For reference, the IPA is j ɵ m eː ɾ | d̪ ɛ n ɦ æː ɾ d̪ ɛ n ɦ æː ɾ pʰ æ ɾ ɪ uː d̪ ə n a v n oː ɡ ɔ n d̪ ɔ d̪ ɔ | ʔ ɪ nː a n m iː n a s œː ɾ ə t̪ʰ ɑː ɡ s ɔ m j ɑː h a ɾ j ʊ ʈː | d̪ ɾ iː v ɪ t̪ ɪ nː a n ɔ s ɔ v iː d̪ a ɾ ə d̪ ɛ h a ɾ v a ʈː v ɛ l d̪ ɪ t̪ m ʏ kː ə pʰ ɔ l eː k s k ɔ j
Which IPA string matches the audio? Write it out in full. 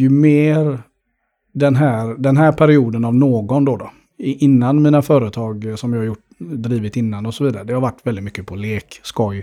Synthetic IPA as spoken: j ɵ m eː ɾ | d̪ ɛ n ɦ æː ɾ d̪ ɛ n ɦ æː ɾ pʰ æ ɾ ɪ uː d̪ ə n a v n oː ɡ ɔ n d̪ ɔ d̪ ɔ | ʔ ɪ nː a n m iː n a f œː ɾ ə t̪ʰ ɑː ɡ s ɔ m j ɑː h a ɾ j ʊ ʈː | d̪ ɾ iː v ɪ t̪ ɪ nː a n ɔ s ɔ v iː d̪ a ɾ ə d̪ ɛ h a ɾ v a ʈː v ɛ l d̪ ɪ t̪ m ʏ kː ə pʰ ɔ l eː k s k ɔ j